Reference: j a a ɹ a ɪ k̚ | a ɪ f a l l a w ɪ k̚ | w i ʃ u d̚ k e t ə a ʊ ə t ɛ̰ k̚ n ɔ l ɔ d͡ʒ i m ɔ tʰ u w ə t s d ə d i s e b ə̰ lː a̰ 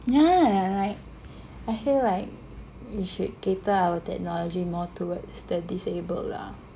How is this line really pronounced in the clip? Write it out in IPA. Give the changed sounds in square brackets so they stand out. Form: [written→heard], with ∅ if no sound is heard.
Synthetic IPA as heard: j a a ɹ a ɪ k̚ | a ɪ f [a→i] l l a [w→∅] ɪ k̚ | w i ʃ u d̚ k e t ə a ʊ ə t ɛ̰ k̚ n ɔ l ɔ d͡ʒ i m ɔ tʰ u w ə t s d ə d i s e b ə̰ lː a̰